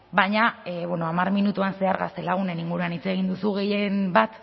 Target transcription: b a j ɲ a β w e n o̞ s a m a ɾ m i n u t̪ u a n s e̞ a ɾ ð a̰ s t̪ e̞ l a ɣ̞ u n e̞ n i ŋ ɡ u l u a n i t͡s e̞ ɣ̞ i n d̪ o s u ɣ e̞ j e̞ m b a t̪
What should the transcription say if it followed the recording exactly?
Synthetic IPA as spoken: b a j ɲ a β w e n o̞ a m a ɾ m i n u t̪ u a n s e̞ a ɾ ɣ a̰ s t̪ e̞ l a ɣ̞ u n e̞ n i ŋ ɡ u ɾ u a n i t͡s e̞ ɣ̞ i n d̪ u s u ɣ e̞ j e̞ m b a t̪